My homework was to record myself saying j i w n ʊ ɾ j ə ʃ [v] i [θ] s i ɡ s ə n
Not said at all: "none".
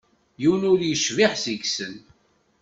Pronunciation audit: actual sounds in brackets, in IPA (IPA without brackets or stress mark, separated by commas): v, ħ